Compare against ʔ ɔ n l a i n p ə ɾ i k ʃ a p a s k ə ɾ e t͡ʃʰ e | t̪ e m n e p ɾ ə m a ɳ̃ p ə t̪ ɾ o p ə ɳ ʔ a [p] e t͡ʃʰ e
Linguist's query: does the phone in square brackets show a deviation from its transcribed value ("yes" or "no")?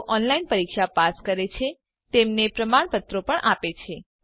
no